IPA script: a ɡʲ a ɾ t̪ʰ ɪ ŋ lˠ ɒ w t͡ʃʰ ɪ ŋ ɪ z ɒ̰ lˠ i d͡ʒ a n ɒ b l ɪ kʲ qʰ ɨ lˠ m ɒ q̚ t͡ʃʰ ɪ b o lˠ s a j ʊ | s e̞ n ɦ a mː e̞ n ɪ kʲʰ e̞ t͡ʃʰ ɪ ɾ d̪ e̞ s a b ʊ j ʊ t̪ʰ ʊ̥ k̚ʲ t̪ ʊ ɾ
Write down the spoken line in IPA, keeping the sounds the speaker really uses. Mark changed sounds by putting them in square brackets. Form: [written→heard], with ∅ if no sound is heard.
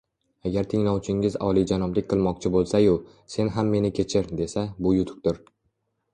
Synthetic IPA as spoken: a ɡʲ a ɾ t̪ʰ ɪ ŋ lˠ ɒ w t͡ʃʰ ɪ ŋ ɪ z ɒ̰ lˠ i d͡ʒ a n ɒ b l ɪ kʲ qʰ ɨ lˠ m ɒ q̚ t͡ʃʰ ɪ b o lˠ s a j ʊ | s e̞ n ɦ a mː e̞ n ɪ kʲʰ e̞ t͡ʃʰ ɪ ɾ d̪ e̞ s a b ʊ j ʊ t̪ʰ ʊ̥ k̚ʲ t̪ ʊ ɾ